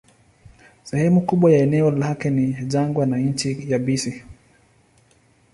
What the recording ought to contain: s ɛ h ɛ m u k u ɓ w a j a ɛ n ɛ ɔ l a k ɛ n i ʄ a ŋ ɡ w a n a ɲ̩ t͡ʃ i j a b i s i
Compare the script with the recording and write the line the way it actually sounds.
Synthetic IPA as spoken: s ɛ h ɛ m u k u ɓ w a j a ɛ n ɛ ɔ l a k ɛ n i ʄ a ŋ ɡ w a n a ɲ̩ t͡ʃ i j a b i s i